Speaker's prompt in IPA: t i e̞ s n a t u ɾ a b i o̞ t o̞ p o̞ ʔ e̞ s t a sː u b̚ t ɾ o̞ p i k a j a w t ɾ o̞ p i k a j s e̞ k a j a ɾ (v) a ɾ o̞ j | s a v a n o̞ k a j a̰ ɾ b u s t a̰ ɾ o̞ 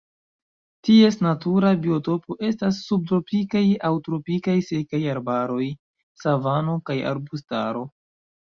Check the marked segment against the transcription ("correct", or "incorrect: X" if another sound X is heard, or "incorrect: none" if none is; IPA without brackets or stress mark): incorrect: b